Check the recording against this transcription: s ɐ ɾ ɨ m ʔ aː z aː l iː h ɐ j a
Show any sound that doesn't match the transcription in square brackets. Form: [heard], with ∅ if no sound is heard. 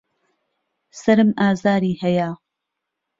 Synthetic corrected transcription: s ɐ ɾ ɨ m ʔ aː z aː [ɾ] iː h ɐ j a